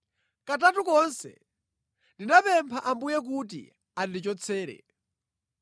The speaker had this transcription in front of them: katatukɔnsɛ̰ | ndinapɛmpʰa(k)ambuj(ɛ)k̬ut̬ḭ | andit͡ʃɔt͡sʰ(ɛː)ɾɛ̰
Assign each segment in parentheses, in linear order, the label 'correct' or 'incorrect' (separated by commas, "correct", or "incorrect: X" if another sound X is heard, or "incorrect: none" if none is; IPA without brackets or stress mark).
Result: incorrect: ʔ, correct, correct